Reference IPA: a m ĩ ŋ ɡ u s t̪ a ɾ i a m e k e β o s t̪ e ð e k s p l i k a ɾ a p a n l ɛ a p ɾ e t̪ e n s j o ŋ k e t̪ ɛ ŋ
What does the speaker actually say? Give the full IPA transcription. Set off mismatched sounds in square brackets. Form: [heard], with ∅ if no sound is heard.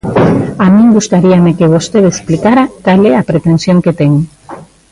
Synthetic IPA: a m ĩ ŋ ɡ u s t̪ a ɾ i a m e k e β o s t̪ e ð e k s p l i k a ɾ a [k] a [∅] l ɛ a p ɾ e t̪ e n s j o ŋ k e t̪ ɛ ŋ